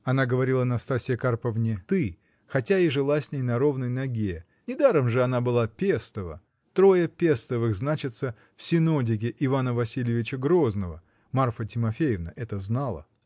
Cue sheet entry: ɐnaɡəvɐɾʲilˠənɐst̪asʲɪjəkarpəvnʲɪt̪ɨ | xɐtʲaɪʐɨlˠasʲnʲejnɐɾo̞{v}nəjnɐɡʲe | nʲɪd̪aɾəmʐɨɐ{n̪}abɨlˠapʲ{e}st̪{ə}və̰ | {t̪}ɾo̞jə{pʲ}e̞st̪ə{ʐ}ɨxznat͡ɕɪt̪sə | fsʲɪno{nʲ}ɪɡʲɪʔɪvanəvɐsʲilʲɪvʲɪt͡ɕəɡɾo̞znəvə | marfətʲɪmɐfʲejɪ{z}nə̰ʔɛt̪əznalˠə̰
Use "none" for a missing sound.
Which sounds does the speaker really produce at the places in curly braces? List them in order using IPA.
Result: v, n̪, e, ə, t̪, pʲ, v, dʲ, v

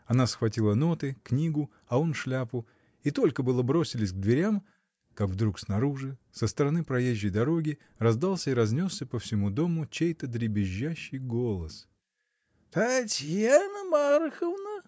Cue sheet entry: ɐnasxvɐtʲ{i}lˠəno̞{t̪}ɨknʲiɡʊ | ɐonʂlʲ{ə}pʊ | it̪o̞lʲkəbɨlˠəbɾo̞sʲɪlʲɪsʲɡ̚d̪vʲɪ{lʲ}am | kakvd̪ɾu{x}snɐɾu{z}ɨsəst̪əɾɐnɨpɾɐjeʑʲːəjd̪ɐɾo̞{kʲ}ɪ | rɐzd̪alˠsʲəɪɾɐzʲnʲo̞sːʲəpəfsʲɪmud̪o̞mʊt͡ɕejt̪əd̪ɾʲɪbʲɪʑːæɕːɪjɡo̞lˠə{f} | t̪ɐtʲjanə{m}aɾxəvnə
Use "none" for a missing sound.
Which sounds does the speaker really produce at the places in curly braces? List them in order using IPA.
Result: i, t̪, a, ɾʲ, k, ʐ, ɡʲ, s, m

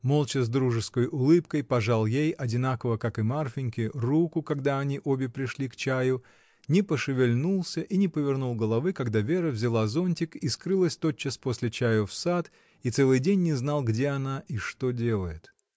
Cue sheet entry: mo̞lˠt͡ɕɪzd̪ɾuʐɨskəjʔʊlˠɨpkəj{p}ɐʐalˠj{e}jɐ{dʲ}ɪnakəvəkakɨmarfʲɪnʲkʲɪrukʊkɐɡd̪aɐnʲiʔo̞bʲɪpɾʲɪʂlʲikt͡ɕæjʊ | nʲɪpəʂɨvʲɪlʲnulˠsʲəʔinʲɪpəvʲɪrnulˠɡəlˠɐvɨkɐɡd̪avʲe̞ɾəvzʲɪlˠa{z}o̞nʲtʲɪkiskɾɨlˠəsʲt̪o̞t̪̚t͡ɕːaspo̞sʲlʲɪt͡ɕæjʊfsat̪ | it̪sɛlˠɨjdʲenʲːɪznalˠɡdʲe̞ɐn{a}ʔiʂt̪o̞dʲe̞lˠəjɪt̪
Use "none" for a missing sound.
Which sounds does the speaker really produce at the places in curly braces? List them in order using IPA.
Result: p, e, dʲ, z, a

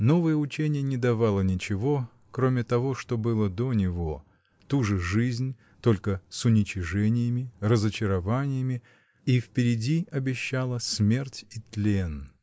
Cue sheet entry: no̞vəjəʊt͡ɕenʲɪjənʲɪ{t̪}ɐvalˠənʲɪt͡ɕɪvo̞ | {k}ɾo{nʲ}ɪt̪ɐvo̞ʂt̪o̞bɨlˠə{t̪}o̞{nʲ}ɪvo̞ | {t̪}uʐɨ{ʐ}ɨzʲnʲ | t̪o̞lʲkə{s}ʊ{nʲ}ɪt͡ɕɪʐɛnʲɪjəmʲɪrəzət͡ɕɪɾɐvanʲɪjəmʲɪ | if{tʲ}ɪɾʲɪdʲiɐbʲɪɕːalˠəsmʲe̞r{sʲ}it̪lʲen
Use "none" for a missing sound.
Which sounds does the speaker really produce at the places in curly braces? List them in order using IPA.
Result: d̪, k, mʲ, d̪, nʲ, t̪, ʐ, s, nʲ, pʲ, tʲ

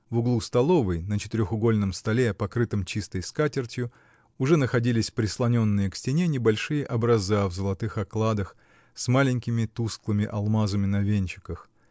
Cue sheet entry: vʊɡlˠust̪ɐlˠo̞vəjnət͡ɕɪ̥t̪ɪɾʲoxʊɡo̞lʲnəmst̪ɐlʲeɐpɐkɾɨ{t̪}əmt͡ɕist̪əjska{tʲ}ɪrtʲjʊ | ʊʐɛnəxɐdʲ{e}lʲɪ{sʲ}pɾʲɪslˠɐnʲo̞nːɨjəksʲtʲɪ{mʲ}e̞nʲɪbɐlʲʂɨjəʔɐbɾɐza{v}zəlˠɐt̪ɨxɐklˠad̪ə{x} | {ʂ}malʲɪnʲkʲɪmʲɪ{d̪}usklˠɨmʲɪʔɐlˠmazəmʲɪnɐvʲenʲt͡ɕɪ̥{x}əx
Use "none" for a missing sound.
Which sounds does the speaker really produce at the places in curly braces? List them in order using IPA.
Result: t̪, tʲ, i, sʲ, nʲ, v, x, s, t̪, k

